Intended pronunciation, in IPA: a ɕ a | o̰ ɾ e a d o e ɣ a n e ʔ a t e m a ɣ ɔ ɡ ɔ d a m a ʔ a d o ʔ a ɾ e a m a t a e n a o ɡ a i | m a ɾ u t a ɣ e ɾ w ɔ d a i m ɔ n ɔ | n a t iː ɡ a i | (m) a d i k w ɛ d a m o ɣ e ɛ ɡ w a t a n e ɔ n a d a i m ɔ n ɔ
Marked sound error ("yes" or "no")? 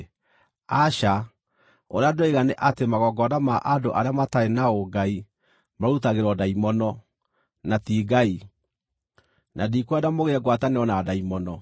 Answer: yes